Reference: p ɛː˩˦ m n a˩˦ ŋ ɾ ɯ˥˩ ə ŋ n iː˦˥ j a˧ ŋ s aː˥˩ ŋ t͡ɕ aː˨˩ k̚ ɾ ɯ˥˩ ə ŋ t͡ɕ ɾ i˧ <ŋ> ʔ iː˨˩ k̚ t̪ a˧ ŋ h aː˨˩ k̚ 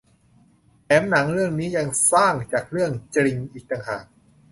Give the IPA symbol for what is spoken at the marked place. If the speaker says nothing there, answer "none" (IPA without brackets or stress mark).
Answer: ŋ